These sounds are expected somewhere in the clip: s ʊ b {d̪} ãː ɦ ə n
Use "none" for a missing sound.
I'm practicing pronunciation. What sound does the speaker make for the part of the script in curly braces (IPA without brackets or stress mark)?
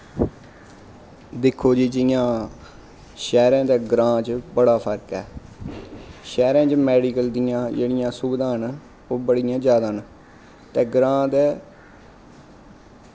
d̪